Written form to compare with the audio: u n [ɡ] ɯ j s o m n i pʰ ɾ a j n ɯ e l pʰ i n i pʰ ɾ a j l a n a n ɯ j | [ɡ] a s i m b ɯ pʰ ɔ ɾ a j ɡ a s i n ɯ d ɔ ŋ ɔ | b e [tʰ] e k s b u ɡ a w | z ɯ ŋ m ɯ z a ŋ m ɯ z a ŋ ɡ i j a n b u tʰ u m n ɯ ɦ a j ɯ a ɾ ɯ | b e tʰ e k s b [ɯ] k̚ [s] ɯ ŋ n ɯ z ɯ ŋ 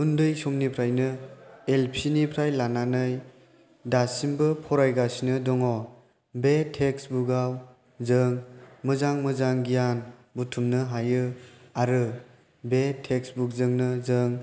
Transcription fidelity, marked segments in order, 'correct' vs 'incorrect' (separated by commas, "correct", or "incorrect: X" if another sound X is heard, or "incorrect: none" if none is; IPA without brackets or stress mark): incorrect: d, incorrect: d, correct, incorrect: u, incorrect: z